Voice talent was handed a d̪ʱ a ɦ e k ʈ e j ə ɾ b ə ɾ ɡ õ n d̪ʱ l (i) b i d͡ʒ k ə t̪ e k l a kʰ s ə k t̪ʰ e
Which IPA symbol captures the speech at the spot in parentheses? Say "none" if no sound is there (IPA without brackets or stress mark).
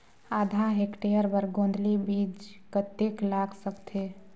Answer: i